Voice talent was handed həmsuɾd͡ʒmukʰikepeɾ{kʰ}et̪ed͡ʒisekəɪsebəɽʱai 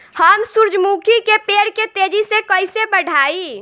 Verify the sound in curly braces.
incorrect: k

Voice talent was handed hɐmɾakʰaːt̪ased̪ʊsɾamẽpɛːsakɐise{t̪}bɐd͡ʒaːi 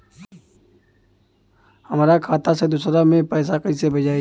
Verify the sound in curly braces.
incorrect: none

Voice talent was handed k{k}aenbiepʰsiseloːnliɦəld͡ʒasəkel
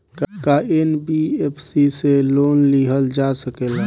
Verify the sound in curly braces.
correct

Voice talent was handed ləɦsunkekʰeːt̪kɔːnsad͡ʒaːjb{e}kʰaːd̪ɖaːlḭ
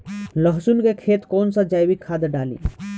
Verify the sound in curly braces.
incorrect: i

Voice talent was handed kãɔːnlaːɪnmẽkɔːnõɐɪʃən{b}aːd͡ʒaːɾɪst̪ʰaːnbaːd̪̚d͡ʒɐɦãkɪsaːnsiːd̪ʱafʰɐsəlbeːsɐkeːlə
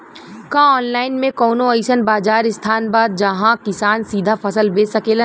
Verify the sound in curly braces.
correct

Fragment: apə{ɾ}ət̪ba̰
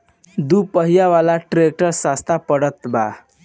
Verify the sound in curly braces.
incorrect: ɽ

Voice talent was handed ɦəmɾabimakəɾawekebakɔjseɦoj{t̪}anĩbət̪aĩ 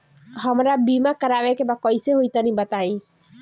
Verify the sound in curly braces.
correct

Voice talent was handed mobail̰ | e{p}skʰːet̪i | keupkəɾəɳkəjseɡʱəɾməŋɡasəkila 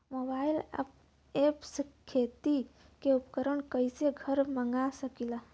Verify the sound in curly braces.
correct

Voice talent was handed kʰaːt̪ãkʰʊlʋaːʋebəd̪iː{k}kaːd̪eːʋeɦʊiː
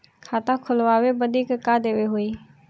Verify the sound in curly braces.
correct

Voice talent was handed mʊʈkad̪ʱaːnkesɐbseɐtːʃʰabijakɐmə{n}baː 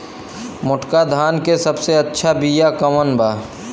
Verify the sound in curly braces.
correct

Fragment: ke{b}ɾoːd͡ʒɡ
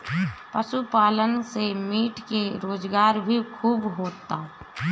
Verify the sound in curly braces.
incorrect: none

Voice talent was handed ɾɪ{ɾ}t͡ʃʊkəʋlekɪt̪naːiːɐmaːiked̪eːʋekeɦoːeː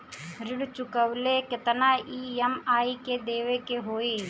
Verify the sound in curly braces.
incorrect: ɽ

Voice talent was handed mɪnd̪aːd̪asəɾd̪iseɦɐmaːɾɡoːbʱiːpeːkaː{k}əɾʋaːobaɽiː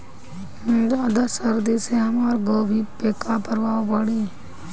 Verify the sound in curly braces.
incorrect: p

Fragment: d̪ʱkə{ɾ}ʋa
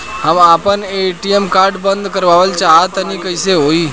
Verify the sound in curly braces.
correct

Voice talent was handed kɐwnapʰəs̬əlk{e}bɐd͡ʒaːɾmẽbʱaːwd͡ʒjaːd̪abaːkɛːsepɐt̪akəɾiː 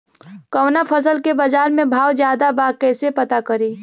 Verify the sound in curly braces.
correct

